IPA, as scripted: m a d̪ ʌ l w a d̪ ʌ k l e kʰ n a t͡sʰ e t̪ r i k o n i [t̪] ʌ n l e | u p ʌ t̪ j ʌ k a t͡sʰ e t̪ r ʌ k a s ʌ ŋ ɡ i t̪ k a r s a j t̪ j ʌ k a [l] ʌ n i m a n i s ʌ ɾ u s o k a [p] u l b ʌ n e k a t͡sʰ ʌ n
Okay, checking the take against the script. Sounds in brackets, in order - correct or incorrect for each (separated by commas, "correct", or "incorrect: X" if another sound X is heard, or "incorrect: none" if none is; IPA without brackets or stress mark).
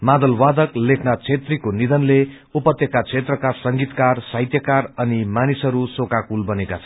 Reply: incorrect: d̪, incorrect: r, incorrect: k